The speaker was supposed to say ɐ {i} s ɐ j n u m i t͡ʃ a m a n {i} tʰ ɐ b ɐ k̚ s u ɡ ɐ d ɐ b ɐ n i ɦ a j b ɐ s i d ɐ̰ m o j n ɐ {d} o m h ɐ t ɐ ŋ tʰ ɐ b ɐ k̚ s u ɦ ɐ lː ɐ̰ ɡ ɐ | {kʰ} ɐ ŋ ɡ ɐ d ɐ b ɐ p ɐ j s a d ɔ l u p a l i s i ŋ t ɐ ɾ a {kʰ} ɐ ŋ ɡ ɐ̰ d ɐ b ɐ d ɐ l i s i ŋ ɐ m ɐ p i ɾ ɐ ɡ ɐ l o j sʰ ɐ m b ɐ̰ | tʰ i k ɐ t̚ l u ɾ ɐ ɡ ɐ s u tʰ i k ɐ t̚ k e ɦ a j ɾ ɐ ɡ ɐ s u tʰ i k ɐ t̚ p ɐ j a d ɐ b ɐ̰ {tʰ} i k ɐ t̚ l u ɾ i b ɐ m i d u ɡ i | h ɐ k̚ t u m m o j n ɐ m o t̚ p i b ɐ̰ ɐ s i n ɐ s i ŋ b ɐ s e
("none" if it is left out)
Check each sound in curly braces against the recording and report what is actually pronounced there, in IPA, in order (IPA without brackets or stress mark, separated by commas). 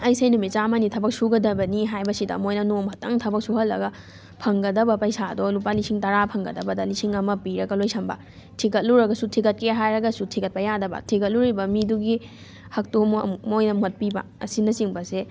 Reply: j, i, n, pʰ, pʰ, tʰ